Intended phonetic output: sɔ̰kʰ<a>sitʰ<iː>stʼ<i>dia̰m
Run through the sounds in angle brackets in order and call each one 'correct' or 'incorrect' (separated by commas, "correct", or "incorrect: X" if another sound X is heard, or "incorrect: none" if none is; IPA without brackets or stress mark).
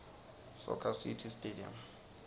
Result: correct, incorrect: i, incorrect: e